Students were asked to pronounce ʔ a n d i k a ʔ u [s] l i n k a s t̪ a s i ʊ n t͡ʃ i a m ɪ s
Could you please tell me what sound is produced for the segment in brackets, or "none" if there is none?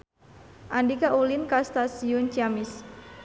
none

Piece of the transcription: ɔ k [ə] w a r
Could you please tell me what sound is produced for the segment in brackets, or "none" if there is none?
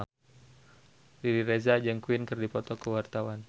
ə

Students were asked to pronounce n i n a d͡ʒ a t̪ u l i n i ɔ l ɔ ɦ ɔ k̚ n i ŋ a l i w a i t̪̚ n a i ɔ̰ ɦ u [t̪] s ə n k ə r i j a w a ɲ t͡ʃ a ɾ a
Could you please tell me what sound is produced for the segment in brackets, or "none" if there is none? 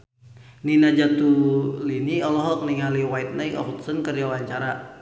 t̪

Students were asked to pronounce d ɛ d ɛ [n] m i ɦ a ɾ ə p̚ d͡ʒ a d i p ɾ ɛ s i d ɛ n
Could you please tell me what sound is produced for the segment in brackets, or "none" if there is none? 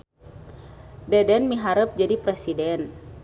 n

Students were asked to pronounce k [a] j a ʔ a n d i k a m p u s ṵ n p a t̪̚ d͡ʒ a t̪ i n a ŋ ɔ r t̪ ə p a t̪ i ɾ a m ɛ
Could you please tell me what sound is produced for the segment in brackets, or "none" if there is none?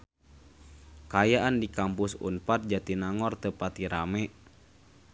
a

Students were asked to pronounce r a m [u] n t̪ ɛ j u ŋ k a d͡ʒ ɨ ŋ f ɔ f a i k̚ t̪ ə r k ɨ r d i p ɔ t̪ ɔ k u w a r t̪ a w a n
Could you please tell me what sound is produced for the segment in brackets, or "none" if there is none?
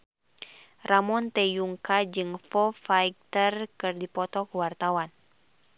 ɔ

